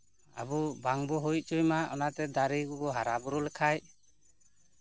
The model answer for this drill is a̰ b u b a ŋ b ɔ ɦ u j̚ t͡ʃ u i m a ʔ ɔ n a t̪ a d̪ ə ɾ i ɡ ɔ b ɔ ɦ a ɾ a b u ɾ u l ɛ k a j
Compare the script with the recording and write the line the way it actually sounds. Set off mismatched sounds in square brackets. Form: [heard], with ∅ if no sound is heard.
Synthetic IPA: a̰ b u b a ŋ b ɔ ɦ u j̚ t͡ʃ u [j] m a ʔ ɔ n a t̪ [ɛ] d̪ [a] ɾ i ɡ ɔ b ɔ ɦ a ɾ a b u ɾ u l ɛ [kʰ] a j

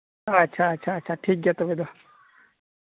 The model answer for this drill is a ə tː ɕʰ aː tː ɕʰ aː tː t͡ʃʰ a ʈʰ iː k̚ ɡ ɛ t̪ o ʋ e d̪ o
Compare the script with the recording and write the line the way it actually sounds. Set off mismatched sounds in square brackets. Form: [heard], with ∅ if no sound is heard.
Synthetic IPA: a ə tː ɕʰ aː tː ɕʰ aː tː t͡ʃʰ a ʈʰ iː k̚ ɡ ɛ t̪ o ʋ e d̪ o

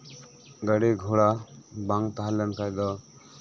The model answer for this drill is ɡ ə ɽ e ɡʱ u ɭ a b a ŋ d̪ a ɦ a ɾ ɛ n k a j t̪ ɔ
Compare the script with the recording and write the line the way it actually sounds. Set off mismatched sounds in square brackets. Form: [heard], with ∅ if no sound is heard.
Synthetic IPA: ɡ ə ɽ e ɡʱ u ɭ a b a ŋ [t̪] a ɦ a [l] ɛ n k a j [d̪] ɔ

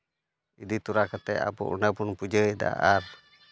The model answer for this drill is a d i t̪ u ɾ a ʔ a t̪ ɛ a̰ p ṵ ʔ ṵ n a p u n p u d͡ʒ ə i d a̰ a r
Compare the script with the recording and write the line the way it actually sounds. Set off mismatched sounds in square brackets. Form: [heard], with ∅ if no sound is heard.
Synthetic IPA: [i] d i t̪ u ɾ a [k] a t̪ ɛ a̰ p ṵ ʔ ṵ n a p u n p u d͡ʒ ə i d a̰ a r

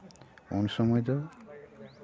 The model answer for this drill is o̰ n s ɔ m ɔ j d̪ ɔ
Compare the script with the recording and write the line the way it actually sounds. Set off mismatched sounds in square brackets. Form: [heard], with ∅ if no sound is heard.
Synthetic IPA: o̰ n s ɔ m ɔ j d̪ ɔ

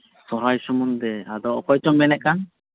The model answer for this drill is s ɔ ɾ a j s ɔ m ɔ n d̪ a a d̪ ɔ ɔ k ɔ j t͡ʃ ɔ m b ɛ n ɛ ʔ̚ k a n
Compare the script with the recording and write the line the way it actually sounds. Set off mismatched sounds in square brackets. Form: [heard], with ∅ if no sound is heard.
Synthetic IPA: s ɔ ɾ a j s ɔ m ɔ n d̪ [ɛ] a d̪ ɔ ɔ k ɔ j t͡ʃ ɔ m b ɛ n ɛ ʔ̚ k a n

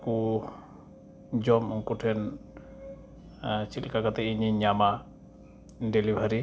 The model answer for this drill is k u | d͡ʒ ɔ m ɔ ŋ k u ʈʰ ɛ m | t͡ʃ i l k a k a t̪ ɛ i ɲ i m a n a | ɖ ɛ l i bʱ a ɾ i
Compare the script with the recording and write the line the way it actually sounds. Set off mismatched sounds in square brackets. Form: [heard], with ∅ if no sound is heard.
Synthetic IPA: k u | d͡ʒ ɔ m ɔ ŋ k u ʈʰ ɛ [n] | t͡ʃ i l k a k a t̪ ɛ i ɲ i [ɲ] a [m] a | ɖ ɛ l i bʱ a ɾ i

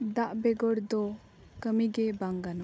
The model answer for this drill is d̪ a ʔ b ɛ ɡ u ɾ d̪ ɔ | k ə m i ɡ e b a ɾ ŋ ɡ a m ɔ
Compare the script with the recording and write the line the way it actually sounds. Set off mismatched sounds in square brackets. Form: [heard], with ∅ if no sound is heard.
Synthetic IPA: d̪ a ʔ b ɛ ɡ [ɔ] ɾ d̪ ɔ | k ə m i ɡ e b a [∅] ŋ ɡ a [n] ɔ

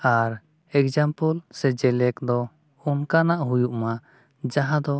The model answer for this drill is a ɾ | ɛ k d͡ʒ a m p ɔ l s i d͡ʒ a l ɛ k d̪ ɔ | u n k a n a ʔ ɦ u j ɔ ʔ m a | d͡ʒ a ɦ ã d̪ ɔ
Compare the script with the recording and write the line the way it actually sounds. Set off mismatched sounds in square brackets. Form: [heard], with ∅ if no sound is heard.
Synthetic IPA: a ɾ | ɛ k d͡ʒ a m p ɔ l s [ɛ] d͡ʒ [ɛ] l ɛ k d̪ ɔ | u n k a n a ʔ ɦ u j [u] ʔ m a | d͡ʒ a ɦ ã d̪ ɔ

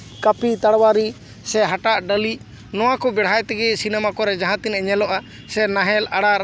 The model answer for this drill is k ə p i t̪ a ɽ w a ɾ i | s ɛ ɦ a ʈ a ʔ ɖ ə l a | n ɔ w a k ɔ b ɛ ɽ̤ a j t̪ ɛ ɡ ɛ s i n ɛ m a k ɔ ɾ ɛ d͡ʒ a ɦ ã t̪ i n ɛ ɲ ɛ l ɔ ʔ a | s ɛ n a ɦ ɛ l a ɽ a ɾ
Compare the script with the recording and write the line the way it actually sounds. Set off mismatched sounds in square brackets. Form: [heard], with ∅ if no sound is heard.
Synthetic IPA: k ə p i t̪ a ɽ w a ɾ i | s ɛ ɦ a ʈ a ʔ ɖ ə l [i] | n ɔ w a k ɔ b ɛ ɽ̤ a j t̪ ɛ ɡ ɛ s i n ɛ m a k ɔ ɾ ɛ d͡ʒ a ɦ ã t̪ i n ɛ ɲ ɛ l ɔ ʔ a | s ɛ n a ɦ ɛ l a ɽ a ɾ

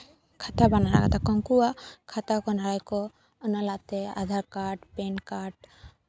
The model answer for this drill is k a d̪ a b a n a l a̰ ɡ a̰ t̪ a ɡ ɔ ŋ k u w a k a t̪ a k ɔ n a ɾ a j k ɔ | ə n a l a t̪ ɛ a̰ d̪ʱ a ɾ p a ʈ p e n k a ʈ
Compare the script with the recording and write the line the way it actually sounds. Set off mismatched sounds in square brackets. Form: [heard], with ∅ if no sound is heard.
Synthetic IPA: [kʰ] a [t̪] a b a n a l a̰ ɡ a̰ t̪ a [k] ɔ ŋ k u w a [kʰ] a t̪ a k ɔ n a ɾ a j k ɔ | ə n a l a t̪ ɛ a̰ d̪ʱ a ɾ [k] a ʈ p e n k a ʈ

